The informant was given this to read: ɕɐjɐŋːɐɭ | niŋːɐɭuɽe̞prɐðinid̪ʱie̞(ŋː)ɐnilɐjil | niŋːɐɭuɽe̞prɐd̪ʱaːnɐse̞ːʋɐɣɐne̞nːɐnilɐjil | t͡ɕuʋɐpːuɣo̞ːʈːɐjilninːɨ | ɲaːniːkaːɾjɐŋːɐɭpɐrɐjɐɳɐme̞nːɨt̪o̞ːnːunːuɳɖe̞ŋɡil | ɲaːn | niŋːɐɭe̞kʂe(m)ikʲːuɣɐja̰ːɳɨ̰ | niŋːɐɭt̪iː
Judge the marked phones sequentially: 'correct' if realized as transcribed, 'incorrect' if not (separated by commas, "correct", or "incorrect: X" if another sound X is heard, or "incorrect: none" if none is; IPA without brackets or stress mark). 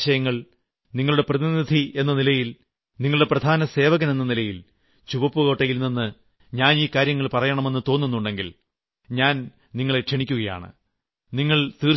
incorrect: nː, incorrect: ɳ